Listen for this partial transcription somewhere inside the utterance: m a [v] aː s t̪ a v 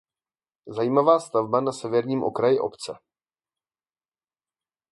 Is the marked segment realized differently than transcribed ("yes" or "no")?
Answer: no